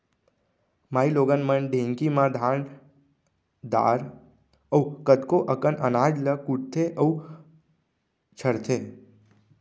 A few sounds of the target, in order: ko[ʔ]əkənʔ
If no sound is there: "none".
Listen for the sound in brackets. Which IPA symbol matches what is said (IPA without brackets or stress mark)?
ʔ